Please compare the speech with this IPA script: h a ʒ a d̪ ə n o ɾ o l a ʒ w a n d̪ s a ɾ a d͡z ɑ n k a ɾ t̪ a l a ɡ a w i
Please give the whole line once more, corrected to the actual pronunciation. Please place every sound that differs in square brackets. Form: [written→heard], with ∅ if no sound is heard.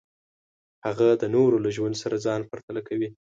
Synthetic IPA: h a [ʒ→ɣ] a d̪ ə n o ɾ o l a ʒ w a n d̪ s a ɾ a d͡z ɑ n [k→p] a ɾ t̪ a l a [ɡ→k] a w i

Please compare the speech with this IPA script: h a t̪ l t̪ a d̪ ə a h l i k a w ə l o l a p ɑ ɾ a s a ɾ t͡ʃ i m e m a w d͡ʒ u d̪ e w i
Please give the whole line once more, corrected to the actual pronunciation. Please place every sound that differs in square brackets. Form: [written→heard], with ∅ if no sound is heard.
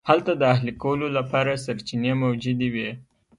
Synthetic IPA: h a [t̪→∅] l t̪ a d̪ ə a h l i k a w ə l o l a p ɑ ɾ a s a ɾ t͡ʃ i [m→n] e m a w d͡ʒ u d̪ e w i

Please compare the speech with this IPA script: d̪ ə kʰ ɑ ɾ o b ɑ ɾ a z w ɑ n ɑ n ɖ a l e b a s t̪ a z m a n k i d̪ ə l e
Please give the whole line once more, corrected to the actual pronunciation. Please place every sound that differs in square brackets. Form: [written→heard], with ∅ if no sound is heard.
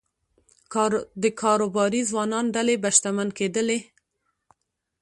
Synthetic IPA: d̪ ə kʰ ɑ ɾ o b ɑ ɾ [a→i] z w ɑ n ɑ n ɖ a l e b a [s→ʃ] t̪ a [z→∅] m a n k [i→e] d̪ ə l e

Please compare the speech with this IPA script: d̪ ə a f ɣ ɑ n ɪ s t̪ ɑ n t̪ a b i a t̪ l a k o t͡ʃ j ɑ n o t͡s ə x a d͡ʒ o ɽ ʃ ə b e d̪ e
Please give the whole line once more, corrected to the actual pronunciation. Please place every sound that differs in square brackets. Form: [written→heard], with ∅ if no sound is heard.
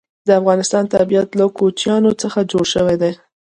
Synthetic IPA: d̪ ə a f ɣ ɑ n ɪ s t̪ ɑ n t̪ a b i a t̪ l a k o t͡ʃ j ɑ n o t͡s ə x a d͡ʒ o ɽ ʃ ə [b→w] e d̪ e

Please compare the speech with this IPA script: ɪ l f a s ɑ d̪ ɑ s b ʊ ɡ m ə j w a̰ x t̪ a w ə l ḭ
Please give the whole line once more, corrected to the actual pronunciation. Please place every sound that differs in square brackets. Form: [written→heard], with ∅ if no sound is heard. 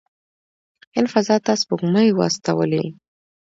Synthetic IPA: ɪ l f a [s→z] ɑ [d̪→t̪] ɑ s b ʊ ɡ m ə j w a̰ [x→s] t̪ a w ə l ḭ

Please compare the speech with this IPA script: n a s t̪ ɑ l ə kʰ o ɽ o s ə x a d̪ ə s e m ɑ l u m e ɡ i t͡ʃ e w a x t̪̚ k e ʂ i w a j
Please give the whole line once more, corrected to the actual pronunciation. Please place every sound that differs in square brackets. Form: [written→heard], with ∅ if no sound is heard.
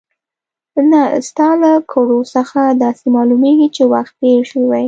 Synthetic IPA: n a s t̪ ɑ l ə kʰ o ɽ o s ə x a d̪ [ə→ɑ] s e m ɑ l u m e ɡ i t͡ʃ e w a x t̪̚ [k→p] e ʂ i w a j

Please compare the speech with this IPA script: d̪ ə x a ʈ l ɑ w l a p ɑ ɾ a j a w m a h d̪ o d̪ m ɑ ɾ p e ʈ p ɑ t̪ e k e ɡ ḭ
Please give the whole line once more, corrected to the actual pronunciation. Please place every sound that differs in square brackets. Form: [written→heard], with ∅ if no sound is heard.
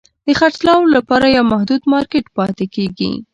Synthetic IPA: d̪ ə x a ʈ l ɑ w l a p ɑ ɾ a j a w m a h d̪ [o→u] d̪ m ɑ ɾ [p→k] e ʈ p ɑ t̪ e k e ɡ ḭ

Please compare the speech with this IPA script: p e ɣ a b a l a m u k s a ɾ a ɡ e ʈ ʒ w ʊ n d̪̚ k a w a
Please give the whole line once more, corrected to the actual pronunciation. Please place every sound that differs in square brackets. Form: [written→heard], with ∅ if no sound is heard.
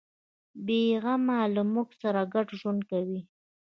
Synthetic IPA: [p→b] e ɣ a [b→m] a l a m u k s a ɾ a ɡ [e→a] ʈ ʒ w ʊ n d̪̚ k a w [a→i]

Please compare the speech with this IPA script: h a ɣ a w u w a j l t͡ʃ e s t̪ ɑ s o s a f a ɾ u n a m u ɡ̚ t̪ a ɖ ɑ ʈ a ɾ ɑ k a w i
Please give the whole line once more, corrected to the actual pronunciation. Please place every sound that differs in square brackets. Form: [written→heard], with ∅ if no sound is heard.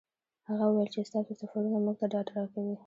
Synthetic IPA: h a ɣ a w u w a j l t͡ʃ e s t̪ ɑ s o s a f a ɾ u n a m u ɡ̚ t̪ a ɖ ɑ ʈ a ɾ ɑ k a w i

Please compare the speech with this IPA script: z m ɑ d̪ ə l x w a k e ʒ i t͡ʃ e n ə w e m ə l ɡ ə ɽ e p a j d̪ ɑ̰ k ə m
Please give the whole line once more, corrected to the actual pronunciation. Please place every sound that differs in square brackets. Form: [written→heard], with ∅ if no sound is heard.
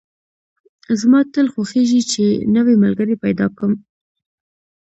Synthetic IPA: z m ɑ [d̪→t̪] ə l x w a [k→x] e ʒ i t͡ʃ e n ə w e m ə l ɡ ə [ɽ→ɾ] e p a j d̪ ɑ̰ k ə m

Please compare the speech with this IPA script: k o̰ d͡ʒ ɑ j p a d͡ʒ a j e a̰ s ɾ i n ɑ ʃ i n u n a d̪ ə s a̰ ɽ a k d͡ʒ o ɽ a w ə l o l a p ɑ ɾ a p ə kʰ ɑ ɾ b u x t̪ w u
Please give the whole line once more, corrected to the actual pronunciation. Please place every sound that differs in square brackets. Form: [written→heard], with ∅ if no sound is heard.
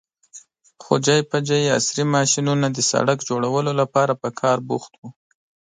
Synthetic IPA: [k→x] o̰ d͡ʒ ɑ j p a d͡ʒ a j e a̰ s ɾ i [n→m] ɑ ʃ i n u n a d̪ ə s a̰ ɽ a k d͡ʒ o ɽ a w ə l o l a p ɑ ɾ a p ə kʰ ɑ ɾ b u x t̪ w u

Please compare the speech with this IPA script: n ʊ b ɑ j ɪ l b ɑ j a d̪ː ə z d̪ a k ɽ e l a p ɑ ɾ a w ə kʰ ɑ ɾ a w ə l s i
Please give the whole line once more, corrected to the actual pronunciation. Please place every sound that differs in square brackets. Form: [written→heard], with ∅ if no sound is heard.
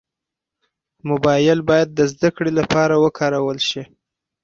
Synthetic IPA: [n→m] ʊ b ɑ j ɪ l b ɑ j a d̪ː ə z d̪ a k ɽ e l a p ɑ ɾ a w ə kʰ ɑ ɾ a w ə l [s→ʃ] i

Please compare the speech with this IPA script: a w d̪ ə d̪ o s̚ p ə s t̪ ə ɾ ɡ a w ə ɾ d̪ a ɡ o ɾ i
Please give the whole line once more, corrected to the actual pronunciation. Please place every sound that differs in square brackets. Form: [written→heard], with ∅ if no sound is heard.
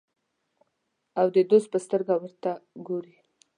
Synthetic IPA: a w d̪ ə d̪ o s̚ p ə s t̪ ə ɾ ɡ a w ə ɾ [d̪→t̪] a ɡ o ɾ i

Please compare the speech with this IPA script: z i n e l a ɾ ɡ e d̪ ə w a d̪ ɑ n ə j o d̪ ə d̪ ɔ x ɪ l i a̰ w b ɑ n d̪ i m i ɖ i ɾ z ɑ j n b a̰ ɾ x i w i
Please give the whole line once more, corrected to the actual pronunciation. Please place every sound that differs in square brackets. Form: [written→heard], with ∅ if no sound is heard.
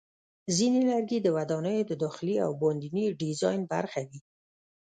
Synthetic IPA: z i n e l a ɾ ɡ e d̪ ə w a d̪ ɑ n ə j o d̪ ə d̪ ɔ x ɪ l i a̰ w b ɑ n d̪ i [m→n] i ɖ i [ɾ→∅] z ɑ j n b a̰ ɾ x [i→a] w i

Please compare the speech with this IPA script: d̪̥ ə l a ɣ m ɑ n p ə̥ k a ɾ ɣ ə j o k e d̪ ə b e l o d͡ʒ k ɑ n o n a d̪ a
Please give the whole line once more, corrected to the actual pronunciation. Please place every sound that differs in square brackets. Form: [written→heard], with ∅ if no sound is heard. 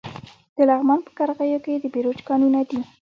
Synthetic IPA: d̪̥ ə l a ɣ m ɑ n p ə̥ k a ɾ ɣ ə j o k e d̪ ə b e [l→ɾ] o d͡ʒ k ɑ n [o→u] n a d̪ [a→i]

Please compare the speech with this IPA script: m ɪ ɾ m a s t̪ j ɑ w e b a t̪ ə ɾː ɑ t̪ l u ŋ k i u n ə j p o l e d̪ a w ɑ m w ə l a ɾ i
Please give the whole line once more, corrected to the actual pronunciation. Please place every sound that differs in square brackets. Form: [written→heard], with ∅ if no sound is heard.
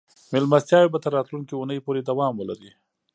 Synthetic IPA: m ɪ [ɾ→l] m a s t̪ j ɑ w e b a t̪ ə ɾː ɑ t̪ l u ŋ k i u n ə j p o [l→ɾ] e d̪ a w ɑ m w ə l a ɾ i

